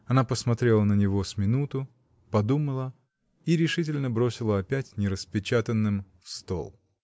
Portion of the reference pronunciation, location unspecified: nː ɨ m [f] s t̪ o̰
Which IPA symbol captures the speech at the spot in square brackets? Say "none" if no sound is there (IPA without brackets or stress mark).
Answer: f